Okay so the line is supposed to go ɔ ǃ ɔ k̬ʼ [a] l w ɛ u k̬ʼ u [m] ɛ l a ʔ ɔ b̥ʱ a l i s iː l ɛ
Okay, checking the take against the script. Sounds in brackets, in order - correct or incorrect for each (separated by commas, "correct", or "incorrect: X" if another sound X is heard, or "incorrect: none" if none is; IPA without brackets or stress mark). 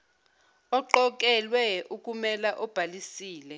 incorrect: ɛ, correct